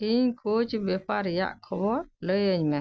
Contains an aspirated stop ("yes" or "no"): yes